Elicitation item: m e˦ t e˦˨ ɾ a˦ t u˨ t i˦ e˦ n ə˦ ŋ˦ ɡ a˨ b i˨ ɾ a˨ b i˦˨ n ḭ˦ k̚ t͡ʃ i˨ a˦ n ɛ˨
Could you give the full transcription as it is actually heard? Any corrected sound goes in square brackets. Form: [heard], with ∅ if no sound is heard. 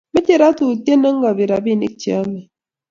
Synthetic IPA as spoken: m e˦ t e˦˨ ɾ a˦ t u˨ t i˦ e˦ n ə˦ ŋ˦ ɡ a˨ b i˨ ɾ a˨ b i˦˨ n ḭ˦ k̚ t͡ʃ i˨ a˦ [m] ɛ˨